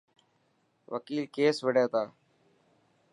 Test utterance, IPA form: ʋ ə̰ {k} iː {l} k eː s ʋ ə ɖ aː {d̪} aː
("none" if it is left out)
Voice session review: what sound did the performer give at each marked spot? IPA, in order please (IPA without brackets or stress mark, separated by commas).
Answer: k, l, t̪